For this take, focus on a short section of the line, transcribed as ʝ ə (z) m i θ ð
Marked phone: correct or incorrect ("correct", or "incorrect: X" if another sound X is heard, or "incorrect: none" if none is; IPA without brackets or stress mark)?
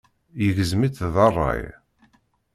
correct